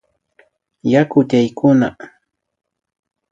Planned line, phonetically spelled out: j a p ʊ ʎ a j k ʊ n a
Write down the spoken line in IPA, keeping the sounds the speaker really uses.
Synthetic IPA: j a k ʊ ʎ a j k ʊ n a

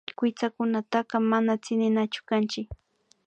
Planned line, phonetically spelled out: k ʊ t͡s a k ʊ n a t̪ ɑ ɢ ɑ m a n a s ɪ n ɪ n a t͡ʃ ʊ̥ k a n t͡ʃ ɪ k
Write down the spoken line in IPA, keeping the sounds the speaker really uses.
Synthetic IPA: k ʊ t͡s a k ʊ n a t̪ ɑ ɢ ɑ m a n a t͡s ɪ n ɪ n a t͡ʃ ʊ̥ k a n t͡ʃ ɪ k

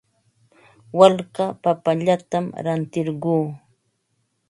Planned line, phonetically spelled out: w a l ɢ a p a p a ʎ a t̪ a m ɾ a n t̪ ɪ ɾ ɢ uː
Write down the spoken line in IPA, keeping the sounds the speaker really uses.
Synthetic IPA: w a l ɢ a p a p a ʎ a t̪ a m ɾ a n t̪ ɪ ɾ ɢ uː

